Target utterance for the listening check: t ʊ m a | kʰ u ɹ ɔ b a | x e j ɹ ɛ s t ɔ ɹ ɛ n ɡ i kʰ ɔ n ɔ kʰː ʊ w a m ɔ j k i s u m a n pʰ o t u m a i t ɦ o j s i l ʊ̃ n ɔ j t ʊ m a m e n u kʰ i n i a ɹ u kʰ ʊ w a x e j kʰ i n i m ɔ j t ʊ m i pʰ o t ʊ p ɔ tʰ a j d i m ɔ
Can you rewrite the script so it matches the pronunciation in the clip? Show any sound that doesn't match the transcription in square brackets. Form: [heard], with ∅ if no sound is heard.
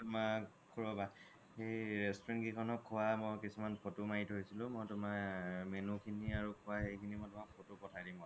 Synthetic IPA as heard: t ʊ m a | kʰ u ɹ ɔ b a | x e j ɹ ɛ s t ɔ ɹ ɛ n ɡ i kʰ ɔ n ɔ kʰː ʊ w a m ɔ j k i s u m a n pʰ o t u m a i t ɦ o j s i l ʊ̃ [m] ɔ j t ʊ m a m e n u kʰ i n i a ɹ u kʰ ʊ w a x e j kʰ i n i m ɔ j t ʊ m [a] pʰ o t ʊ p ɔ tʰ a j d i m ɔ